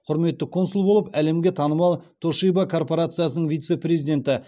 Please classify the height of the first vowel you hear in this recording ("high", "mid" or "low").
high